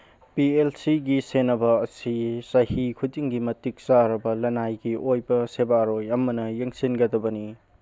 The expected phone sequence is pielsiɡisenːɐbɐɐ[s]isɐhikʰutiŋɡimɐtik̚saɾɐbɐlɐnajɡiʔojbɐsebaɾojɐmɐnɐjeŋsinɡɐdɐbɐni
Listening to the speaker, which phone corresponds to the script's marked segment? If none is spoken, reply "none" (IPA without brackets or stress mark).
s